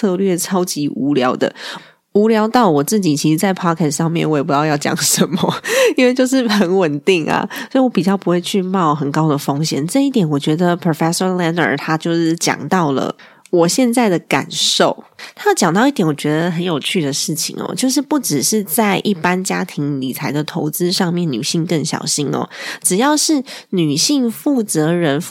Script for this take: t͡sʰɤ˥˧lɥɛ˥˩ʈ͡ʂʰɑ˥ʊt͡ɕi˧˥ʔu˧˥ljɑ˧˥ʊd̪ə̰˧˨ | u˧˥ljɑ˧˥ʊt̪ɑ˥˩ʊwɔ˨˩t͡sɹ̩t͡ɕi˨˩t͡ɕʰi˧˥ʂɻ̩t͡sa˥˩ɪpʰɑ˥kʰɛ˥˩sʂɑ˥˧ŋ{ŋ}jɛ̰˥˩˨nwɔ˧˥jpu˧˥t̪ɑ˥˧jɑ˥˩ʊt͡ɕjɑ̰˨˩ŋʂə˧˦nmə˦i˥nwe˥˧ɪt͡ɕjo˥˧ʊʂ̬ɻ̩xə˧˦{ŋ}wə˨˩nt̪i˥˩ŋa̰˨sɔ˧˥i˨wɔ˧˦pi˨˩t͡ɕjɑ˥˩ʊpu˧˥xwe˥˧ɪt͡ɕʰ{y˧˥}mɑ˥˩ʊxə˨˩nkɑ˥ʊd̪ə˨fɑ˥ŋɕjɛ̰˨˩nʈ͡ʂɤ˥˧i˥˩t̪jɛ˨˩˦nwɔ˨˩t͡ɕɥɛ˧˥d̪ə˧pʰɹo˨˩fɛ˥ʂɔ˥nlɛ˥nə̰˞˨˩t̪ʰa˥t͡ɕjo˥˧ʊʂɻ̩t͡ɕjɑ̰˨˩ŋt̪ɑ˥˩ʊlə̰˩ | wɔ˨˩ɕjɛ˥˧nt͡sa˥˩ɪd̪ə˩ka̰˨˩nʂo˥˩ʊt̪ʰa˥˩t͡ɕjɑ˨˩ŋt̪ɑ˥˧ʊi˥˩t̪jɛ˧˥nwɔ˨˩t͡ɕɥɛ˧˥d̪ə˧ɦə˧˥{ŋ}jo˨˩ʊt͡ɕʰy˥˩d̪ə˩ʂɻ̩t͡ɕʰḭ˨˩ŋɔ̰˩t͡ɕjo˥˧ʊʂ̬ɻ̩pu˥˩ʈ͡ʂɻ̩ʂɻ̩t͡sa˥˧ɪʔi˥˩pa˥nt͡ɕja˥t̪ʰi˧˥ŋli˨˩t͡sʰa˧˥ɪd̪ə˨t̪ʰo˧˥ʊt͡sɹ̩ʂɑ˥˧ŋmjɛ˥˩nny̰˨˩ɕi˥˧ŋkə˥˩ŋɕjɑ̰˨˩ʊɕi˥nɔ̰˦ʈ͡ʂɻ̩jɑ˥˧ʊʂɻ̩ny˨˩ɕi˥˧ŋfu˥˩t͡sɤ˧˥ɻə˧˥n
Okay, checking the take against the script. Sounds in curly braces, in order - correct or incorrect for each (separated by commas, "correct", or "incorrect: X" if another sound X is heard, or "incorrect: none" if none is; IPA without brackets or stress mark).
incorrect: m, incorrect: n, incorrect: y˥˧, incorrect: n